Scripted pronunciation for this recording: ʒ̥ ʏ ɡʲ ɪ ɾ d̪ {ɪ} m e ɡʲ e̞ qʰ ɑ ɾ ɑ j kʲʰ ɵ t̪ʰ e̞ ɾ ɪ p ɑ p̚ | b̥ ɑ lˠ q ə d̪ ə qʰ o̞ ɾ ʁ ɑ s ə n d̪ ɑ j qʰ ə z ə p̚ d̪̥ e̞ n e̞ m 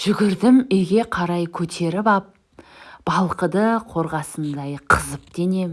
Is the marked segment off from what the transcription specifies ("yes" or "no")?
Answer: no